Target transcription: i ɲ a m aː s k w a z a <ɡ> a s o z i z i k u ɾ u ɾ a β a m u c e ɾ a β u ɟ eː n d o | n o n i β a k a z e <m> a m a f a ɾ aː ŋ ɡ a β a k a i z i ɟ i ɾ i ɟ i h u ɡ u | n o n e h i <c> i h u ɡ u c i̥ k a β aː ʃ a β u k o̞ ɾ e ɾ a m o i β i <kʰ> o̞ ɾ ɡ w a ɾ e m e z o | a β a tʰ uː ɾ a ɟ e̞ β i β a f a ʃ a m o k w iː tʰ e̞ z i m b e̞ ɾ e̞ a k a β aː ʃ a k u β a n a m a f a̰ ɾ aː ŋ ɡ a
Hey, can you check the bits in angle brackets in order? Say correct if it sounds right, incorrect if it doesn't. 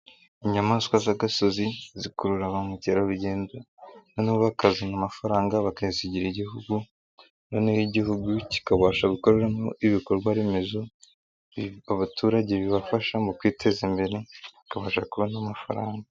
correct, incorrect, incorrect, incorrect

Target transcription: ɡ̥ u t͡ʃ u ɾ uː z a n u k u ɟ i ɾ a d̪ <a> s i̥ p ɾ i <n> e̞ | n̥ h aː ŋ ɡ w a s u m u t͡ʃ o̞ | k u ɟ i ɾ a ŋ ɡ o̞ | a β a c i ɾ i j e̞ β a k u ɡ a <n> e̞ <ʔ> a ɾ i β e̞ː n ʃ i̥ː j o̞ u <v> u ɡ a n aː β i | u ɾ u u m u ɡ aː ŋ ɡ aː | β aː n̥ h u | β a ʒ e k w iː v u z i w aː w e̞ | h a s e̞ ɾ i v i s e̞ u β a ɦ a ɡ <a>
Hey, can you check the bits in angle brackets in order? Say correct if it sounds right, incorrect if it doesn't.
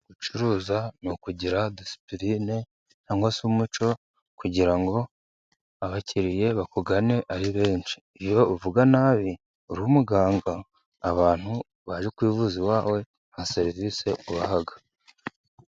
incorrect, correct, correct, correct, correct, correct

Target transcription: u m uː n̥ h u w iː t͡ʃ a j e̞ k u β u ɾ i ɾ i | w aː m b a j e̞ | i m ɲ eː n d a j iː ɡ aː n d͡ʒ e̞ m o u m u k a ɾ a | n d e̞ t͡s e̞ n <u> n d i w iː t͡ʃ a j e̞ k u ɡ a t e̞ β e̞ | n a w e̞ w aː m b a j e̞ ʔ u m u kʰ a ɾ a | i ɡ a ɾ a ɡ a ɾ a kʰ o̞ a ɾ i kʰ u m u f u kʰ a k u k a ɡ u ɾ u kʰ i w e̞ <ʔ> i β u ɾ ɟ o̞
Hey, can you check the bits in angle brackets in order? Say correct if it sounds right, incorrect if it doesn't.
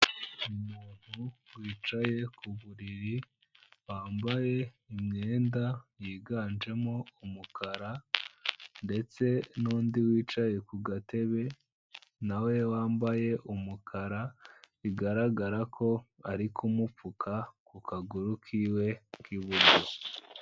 incorrect, incorrect

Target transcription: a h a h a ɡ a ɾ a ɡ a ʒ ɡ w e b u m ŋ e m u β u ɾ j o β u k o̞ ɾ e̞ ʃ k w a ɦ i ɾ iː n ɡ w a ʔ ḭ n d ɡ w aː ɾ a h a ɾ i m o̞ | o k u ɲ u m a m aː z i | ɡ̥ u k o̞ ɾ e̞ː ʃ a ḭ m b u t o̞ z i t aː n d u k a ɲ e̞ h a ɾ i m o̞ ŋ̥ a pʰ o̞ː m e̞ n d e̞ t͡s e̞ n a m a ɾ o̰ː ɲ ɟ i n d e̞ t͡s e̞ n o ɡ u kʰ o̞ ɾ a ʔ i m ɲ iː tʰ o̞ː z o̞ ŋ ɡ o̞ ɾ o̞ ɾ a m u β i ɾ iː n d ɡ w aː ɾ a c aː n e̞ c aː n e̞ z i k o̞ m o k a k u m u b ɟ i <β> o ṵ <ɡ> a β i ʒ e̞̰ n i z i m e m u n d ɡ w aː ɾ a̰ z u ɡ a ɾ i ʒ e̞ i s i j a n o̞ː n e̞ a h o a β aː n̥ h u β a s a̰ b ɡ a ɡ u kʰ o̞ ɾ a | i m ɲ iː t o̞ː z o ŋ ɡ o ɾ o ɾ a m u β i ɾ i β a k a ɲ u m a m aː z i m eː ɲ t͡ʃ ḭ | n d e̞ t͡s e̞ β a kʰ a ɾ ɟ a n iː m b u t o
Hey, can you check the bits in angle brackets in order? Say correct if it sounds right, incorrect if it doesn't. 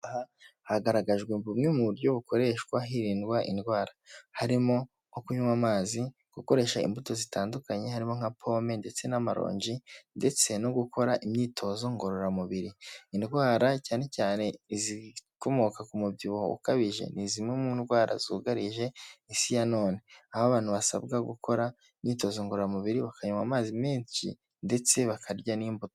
correct, incorrect

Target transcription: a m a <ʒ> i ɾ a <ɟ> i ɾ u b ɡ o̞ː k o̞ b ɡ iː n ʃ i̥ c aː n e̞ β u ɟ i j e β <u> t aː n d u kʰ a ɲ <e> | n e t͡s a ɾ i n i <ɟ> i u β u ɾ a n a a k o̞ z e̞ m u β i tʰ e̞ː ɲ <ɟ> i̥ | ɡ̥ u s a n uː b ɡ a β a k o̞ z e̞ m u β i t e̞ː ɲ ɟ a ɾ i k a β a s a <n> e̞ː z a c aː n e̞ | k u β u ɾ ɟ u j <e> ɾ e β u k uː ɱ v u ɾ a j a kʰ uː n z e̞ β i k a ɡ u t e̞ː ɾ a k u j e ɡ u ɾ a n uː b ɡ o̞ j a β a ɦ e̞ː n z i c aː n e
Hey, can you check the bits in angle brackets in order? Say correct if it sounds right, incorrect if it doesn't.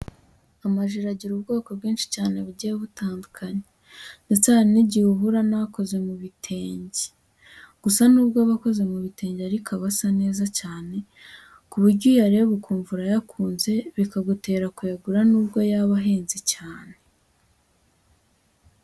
correct, correct, correct, correct, correct, correct, correct, incorrect

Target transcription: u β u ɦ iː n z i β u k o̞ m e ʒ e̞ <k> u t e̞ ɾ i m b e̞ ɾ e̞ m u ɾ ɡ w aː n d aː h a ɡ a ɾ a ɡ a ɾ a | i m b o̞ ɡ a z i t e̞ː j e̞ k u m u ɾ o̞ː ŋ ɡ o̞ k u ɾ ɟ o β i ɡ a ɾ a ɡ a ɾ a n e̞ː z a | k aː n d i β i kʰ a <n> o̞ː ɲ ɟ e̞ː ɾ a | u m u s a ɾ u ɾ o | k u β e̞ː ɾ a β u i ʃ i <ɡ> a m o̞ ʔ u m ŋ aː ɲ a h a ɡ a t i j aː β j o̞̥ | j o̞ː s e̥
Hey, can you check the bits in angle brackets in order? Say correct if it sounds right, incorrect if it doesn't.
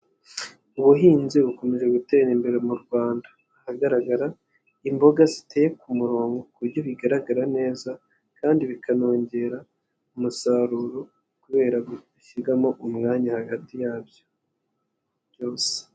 incorrect, correct, correct

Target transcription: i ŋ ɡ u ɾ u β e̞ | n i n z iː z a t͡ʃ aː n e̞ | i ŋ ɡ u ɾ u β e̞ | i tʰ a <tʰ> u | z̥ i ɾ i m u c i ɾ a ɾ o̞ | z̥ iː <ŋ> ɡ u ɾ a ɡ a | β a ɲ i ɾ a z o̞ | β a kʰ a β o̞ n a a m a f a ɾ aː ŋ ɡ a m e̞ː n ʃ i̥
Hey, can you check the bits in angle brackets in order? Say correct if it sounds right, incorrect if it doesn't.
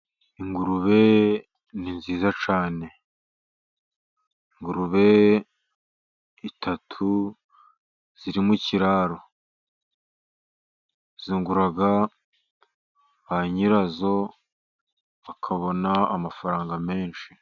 correct, correct

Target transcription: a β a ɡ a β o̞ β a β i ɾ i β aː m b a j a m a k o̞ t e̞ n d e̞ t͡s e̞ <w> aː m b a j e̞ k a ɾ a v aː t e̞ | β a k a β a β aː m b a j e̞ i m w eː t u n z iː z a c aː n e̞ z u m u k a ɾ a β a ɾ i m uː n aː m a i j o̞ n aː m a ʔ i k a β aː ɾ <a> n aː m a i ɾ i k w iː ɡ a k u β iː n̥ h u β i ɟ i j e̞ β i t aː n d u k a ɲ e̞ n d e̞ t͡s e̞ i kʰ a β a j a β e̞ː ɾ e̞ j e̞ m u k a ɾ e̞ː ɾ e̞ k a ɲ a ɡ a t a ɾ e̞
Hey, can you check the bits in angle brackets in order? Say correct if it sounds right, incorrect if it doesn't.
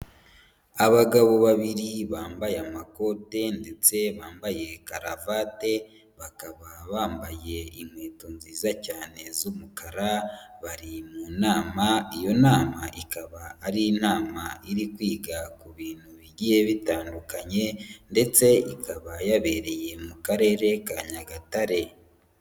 incorrect, incorrect

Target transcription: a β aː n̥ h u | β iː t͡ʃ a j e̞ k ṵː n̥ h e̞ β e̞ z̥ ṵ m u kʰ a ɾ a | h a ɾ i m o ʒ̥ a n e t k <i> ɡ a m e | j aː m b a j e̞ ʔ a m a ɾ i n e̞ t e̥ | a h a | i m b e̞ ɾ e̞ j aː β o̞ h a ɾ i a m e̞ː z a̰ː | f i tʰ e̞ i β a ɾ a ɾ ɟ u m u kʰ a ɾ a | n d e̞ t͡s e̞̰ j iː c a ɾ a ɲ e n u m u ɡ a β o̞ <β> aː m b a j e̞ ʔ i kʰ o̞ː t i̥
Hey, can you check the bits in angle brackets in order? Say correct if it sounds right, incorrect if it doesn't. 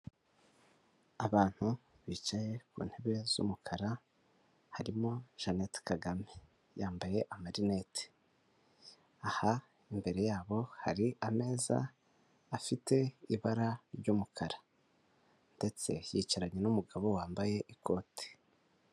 incorrect, incorrect

